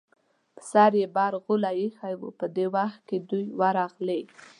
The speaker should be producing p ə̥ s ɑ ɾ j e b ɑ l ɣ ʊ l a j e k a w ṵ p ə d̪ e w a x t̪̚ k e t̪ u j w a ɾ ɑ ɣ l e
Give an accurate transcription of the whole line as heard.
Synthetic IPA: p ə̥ s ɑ ɾ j e b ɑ ɾ ɣ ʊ l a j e x a w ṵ p ə d̪ e w a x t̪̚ k e d̪ u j w a ɾ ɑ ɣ l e